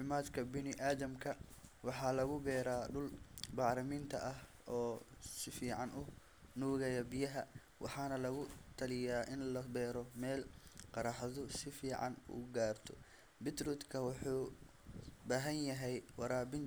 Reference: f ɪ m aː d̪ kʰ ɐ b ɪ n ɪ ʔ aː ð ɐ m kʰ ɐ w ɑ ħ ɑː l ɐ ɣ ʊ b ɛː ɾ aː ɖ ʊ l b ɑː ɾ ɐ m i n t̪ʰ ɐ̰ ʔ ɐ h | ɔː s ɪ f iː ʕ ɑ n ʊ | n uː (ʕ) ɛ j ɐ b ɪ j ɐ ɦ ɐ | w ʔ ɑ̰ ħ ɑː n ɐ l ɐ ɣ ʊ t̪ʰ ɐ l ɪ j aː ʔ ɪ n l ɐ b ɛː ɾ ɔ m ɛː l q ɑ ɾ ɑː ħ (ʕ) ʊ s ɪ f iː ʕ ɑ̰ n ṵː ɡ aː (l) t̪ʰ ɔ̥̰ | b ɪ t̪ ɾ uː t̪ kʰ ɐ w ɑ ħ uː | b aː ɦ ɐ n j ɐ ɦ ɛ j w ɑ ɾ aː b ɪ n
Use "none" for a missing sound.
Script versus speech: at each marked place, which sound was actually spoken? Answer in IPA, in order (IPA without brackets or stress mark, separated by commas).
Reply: ɣ, ð, r